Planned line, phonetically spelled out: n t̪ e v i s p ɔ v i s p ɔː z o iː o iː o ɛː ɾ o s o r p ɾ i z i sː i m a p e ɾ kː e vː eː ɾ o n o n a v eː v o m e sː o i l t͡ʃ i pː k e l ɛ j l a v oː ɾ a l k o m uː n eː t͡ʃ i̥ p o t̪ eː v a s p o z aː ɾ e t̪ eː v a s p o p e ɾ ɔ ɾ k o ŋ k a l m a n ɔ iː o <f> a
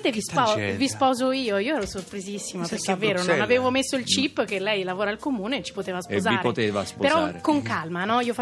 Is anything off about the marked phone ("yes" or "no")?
no